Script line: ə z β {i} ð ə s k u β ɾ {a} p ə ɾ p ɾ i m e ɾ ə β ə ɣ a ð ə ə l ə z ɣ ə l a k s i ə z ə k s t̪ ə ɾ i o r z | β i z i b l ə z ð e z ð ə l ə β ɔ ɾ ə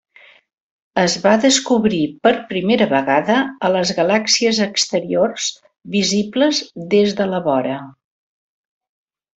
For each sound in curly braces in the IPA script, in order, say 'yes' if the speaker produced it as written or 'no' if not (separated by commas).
no, no